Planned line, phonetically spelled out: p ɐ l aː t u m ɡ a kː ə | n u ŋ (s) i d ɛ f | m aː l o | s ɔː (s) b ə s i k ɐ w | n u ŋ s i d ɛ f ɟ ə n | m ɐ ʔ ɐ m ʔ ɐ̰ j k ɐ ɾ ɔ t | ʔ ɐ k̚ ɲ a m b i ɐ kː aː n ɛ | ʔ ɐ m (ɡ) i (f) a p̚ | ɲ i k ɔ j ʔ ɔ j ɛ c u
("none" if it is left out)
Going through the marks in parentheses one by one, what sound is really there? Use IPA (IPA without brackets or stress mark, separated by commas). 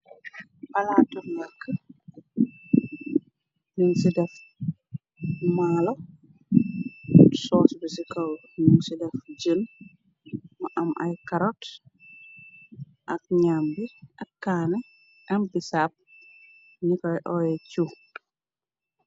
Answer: s, s, b, s